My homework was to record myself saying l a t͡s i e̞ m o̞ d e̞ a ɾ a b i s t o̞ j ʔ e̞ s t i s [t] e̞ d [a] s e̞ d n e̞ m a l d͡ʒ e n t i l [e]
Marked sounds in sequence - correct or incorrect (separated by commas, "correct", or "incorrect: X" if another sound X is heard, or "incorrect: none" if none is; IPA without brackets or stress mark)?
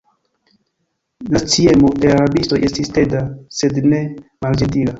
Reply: correct, correct, incorrect: a